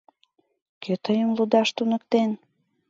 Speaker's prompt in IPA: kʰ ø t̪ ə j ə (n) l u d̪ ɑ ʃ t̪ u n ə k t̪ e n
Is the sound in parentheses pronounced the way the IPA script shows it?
no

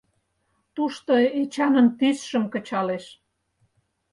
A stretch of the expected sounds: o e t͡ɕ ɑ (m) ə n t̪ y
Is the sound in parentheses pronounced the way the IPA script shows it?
no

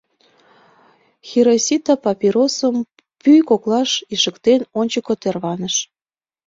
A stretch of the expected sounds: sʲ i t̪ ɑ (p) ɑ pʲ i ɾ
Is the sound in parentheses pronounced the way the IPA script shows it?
yes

